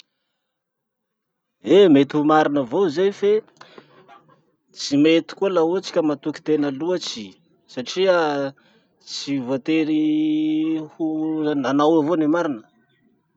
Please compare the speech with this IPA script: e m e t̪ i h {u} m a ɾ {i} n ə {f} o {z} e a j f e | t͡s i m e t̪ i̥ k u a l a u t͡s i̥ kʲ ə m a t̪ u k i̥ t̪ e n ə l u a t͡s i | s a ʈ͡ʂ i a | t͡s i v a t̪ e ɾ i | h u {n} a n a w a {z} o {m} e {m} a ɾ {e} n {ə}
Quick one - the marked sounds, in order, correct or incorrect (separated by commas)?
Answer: correct, correct, incorrect, correct, correct, incorrect, incorrect, correct, incorrect, correct